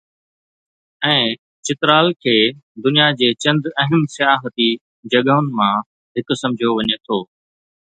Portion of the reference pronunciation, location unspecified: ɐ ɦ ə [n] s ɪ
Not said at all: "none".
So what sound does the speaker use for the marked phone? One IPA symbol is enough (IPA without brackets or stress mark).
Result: m